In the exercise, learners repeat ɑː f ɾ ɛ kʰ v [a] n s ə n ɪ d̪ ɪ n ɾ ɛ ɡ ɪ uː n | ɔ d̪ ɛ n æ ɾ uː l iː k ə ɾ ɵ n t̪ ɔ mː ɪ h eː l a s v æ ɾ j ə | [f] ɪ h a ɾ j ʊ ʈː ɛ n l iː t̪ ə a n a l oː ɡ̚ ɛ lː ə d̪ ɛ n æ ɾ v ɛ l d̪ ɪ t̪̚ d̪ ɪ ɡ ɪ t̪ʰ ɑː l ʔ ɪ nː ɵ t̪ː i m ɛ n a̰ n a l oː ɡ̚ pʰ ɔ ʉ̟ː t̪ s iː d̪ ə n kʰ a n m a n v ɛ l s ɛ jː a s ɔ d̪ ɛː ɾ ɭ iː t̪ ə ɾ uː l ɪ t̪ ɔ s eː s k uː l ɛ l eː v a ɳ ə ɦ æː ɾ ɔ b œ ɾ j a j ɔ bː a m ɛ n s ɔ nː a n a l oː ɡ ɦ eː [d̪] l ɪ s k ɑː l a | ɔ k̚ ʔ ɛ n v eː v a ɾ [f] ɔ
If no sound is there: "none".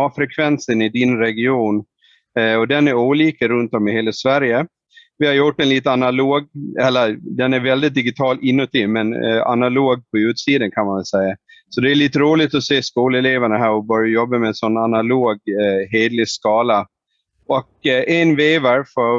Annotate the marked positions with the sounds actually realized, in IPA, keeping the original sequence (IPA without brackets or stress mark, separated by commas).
ɛ, v, d̪, f